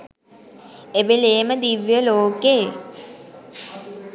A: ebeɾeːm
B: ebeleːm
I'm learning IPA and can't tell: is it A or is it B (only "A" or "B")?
B